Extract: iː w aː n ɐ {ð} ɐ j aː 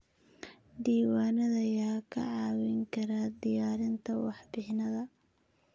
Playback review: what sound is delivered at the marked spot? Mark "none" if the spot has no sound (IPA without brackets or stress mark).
ð